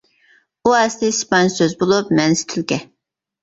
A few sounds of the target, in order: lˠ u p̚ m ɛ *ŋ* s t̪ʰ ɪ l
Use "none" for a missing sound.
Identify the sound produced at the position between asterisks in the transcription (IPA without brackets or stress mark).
n